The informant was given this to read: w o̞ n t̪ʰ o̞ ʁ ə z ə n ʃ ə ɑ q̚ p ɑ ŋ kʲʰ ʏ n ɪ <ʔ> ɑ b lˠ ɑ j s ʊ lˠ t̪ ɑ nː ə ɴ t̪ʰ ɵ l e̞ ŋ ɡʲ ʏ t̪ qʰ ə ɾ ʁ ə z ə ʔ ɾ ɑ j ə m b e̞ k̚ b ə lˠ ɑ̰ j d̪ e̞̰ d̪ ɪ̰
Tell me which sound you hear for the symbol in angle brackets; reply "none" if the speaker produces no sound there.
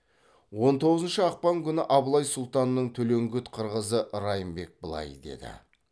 ʔ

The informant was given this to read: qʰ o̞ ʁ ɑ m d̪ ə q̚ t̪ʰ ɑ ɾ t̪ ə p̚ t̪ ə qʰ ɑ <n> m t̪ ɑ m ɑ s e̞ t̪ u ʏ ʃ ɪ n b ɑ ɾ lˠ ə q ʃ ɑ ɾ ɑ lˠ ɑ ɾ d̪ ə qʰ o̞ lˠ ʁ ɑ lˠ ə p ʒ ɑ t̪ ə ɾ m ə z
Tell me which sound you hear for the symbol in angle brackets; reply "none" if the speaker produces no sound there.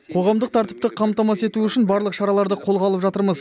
none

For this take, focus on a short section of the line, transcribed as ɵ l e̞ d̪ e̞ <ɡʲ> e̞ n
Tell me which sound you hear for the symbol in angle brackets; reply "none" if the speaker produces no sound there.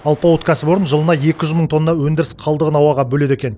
kʲ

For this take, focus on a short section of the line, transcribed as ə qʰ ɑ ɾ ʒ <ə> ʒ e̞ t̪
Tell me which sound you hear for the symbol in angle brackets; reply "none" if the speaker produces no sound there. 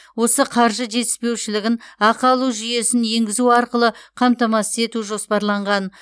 ə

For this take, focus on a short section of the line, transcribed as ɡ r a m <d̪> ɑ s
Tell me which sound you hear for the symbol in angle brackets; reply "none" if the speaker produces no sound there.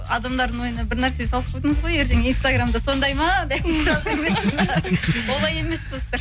d̪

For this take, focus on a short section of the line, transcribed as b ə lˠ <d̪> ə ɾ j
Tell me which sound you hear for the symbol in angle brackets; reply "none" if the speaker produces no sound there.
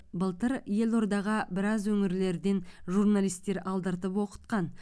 t̪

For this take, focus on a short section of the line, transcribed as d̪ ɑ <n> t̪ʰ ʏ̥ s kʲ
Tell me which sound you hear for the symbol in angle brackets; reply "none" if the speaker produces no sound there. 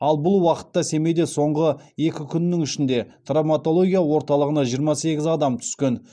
m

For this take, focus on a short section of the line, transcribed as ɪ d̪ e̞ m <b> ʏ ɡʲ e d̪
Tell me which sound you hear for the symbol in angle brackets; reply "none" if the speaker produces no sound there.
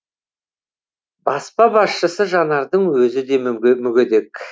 m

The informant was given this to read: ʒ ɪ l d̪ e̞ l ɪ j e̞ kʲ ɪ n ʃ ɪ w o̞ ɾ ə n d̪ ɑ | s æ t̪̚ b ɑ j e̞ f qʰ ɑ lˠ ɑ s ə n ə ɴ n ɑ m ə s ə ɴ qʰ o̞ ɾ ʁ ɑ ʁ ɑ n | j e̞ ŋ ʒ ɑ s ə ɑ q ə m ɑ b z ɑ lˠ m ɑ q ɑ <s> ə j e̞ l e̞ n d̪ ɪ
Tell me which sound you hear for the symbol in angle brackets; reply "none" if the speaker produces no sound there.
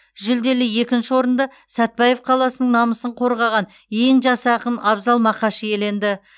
ʃ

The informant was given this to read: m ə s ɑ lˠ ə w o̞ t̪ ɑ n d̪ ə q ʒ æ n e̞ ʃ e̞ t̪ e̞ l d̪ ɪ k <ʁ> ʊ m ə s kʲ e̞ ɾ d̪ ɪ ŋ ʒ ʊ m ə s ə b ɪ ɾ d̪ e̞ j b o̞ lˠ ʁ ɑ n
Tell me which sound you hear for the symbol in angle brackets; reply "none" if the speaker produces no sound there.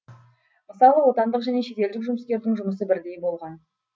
ʒ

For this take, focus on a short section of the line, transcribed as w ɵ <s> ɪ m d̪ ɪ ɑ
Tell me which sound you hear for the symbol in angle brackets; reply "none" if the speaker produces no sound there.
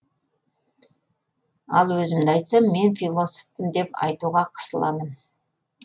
z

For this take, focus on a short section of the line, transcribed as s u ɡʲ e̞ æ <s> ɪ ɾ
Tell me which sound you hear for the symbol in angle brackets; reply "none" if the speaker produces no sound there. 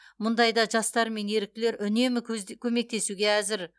z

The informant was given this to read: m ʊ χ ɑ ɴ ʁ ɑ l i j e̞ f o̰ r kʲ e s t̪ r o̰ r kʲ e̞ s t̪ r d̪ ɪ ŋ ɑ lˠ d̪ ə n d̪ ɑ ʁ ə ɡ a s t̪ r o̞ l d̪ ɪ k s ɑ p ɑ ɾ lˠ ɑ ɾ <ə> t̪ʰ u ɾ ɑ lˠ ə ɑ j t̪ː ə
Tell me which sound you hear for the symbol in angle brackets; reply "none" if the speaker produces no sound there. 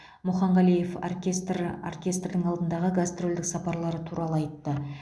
ə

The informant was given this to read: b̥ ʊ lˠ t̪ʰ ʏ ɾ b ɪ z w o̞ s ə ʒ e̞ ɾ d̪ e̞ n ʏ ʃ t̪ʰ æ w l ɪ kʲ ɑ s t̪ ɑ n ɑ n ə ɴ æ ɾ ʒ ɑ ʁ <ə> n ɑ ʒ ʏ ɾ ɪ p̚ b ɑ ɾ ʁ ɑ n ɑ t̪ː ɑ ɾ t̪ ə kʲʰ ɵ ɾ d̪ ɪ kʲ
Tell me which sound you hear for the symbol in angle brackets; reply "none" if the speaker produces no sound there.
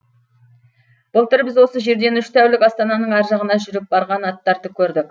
ə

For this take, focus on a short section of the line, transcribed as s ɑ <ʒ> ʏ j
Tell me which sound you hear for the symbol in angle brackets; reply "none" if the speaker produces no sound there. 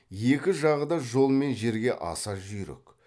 ʒ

